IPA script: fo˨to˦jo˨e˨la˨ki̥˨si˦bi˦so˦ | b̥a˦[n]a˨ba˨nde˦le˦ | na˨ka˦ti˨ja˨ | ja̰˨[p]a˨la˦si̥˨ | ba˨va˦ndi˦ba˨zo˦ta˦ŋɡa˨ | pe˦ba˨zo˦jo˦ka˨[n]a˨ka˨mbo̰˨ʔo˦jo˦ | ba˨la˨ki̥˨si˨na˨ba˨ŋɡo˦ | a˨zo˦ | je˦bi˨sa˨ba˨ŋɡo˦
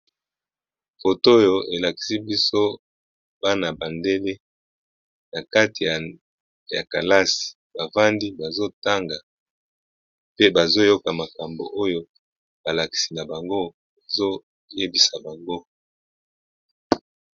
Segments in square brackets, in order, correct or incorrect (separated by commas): correct, incorrect, incorrect